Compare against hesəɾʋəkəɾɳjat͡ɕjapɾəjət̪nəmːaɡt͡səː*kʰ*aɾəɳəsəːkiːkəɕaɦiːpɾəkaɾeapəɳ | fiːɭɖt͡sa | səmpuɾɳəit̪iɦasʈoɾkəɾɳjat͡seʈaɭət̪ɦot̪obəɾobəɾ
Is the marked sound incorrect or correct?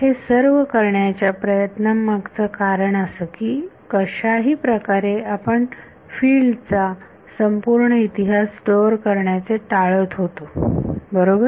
incorrect: k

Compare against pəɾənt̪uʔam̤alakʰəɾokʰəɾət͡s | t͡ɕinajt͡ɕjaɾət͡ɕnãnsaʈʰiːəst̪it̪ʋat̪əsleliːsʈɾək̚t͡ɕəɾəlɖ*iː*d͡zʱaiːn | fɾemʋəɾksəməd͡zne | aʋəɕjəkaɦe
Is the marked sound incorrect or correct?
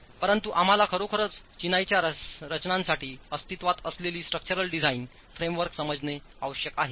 incorrect: i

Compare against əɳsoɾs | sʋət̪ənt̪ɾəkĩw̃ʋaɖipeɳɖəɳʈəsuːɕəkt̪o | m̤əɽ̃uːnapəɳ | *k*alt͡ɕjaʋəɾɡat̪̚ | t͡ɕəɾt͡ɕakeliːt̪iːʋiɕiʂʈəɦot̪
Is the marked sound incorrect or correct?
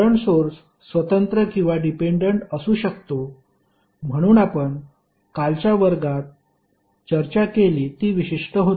correct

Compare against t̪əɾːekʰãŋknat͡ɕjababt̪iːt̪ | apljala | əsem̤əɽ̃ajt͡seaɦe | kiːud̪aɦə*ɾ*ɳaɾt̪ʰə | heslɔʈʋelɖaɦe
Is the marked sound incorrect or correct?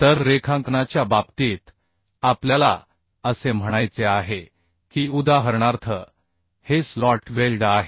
correct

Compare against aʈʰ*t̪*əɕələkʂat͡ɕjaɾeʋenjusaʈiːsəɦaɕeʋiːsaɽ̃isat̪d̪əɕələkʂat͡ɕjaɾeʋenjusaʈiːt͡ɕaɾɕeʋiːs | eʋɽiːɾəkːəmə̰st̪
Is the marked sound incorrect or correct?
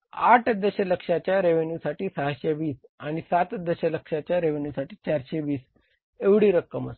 incorrect: d̪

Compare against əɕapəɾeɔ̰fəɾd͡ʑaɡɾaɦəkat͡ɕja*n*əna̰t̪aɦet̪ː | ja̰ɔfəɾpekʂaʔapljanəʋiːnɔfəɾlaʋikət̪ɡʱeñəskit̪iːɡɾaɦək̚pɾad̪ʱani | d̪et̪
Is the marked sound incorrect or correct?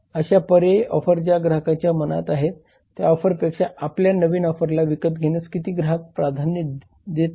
incorrect: m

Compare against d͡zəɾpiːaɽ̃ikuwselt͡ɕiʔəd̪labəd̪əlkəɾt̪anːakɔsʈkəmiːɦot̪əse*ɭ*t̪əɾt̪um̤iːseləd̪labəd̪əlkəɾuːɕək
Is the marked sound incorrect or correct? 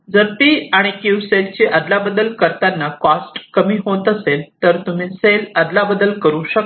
incorrect: l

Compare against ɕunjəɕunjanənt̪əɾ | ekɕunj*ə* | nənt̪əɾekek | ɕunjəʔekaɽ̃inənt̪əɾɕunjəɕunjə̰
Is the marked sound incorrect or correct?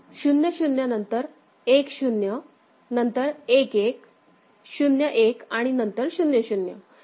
correct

